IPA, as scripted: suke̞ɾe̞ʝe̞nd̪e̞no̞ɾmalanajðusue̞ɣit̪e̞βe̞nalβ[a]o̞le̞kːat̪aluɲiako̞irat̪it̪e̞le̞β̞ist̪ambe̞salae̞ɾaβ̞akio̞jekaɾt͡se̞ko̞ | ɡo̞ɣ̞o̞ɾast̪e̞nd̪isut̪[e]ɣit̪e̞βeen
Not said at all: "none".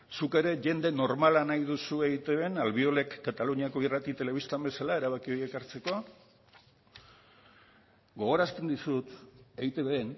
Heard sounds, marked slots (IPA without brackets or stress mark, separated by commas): i, e